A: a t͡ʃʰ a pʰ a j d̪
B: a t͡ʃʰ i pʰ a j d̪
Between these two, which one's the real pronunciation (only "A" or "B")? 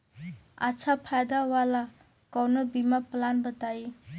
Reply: A